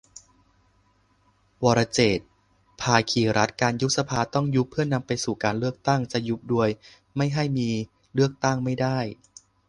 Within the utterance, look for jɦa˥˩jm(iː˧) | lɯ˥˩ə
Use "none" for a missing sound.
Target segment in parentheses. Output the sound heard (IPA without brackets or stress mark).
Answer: iː˧